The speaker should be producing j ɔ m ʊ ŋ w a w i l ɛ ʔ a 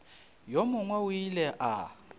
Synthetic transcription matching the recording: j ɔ m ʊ ŋ w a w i l ɛ ʔ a